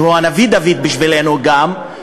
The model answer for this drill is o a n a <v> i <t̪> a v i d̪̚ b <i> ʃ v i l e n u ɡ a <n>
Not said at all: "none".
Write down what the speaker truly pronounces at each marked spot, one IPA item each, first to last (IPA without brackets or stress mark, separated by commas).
v, d̪, i, m